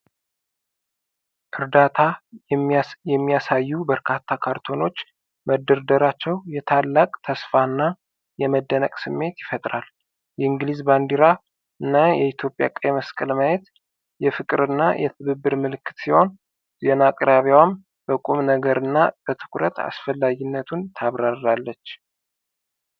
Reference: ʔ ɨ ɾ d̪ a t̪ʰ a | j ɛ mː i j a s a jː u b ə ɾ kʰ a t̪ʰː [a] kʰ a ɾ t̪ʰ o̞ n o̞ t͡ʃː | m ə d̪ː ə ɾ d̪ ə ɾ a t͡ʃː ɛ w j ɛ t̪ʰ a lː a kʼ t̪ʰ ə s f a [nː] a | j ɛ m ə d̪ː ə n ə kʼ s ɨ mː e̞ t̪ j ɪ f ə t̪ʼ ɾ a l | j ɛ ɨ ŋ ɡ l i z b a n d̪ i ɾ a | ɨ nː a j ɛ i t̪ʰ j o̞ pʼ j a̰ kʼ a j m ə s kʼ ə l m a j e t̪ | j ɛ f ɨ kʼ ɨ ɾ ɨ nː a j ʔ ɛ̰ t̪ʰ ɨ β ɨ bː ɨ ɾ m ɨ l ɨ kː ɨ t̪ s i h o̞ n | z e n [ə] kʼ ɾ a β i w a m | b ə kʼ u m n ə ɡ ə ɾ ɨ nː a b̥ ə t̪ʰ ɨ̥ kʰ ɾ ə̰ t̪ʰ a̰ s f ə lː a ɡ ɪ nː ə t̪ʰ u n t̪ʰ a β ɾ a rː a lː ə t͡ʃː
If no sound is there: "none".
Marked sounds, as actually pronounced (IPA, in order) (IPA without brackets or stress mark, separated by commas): a, nː, a